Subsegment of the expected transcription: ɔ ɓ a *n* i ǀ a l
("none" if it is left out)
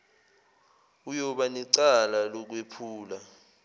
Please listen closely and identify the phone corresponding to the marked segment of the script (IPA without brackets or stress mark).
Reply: n